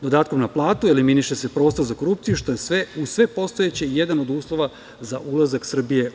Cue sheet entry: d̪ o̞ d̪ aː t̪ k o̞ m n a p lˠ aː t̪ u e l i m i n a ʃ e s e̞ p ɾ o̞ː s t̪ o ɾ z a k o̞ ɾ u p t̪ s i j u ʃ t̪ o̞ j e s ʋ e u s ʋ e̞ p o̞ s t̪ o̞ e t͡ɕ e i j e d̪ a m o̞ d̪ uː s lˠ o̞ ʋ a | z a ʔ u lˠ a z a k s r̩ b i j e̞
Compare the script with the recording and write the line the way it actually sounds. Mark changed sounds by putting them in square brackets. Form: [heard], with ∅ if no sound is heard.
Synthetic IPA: d̪ o̞ d̪ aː t̪ k o̞ m n a p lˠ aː t̪ u e l i m i n [i] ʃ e s e̞ p ɾ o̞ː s t̪ o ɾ z a k o̞ ɾ u p t̪ s i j u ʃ t̪ o̞ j e s ʋ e u s ʋ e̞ p o̞ s t̪ o̞ e t͡ɕ e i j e d̪ a [n] o̞ d̪ uː s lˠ o̞ ʋ a | z a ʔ u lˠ a z a k s r̩ b i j e̞